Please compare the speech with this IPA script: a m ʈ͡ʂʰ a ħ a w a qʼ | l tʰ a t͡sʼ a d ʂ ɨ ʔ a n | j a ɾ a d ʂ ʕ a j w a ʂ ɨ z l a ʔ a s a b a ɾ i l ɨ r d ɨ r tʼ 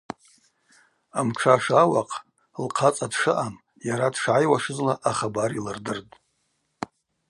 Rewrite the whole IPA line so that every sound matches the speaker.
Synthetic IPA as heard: a m ʈ͡ʂʰ a ʂ a w a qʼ | l qʰ a t͡sʼ a d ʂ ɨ ʔ a m | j a ɾ a d ʂ ʕ a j w a ʂ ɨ z l a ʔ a χ a b a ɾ i l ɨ r d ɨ r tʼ